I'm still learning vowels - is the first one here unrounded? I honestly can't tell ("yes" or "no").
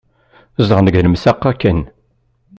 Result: yes